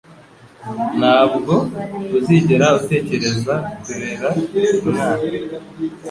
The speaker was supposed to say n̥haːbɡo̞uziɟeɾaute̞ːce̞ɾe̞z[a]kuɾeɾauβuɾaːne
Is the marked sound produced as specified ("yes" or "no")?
yes